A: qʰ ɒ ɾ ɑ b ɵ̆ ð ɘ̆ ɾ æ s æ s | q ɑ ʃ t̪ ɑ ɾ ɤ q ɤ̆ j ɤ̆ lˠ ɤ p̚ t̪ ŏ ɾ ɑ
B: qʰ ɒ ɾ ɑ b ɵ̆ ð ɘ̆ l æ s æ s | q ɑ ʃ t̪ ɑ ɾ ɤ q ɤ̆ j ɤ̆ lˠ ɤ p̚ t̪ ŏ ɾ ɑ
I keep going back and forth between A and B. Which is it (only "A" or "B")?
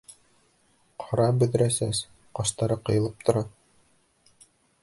A